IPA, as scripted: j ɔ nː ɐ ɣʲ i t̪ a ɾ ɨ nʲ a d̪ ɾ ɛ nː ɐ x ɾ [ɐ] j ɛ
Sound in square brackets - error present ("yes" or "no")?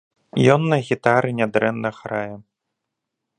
yes